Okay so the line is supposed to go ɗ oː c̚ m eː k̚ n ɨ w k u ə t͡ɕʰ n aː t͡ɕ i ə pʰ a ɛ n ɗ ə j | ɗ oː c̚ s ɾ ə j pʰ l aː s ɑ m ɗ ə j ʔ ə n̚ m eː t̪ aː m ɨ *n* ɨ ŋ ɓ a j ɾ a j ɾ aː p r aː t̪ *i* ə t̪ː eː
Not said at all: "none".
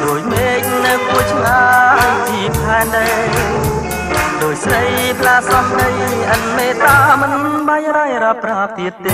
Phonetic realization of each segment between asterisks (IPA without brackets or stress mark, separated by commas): n, i